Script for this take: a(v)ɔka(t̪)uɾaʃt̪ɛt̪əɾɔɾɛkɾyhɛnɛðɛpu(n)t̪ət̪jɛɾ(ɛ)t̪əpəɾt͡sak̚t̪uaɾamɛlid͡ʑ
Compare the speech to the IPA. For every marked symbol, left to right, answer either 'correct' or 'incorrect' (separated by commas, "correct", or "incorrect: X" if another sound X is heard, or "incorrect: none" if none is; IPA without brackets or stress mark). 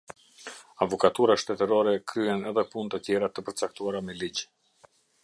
correct, correct, correct, incorrect: a